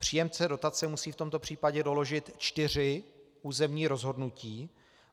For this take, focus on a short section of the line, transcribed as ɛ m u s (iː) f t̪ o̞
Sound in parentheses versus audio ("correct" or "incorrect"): correct